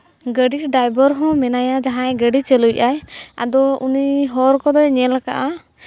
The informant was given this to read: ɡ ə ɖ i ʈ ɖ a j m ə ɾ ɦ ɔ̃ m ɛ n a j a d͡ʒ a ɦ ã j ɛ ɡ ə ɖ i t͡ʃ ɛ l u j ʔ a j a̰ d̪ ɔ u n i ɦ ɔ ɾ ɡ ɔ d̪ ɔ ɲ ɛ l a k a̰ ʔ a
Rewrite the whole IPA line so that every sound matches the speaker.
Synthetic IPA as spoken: ɡ ə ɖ i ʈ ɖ a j b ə ɾ ɦ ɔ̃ m ɛ n a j a d͡ʒ a ɦ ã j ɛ ɡ ə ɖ i t͡ʃ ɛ l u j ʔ a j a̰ d̪ ɔ u n i ɦ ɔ ɾ k ɔ d̪ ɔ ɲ ɛ l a k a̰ ʔ a